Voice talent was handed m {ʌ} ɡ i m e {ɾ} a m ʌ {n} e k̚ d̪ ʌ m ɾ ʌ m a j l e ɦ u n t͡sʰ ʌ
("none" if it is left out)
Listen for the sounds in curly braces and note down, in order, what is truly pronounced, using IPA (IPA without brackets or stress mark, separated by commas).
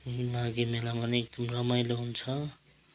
a, l, n